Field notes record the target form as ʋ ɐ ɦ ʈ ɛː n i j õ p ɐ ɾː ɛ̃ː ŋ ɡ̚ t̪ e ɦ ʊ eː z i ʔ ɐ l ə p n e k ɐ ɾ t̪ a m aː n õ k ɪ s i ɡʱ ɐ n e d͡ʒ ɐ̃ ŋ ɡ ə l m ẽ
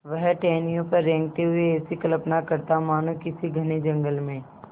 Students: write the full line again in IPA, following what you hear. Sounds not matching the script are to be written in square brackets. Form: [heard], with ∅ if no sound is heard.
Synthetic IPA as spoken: ʋ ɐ ɦ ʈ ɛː n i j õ p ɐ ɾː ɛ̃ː ŋ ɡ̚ t̪ e ɦ ʊ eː [s] i [k] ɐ l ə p n [a] k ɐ ɾ t̪ a m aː n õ k ɪ s i ɡʱ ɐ n e d͡ʒ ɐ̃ ŋ ɡ ə l m ẽ